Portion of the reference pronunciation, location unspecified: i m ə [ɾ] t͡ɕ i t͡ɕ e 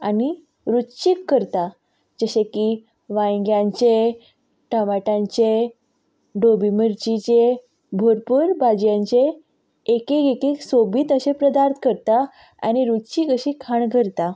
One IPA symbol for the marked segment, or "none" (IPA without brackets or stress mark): ɾ